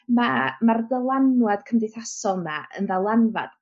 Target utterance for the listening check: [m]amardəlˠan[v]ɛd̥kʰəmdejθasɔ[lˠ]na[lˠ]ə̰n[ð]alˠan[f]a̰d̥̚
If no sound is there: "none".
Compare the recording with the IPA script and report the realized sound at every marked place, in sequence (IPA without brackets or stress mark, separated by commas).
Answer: m, w, lˠ, none, ð, v